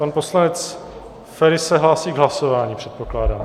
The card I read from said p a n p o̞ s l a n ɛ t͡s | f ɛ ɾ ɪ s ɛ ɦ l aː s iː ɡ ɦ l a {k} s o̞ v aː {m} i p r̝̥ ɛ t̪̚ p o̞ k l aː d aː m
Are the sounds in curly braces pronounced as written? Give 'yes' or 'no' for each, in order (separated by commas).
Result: no, no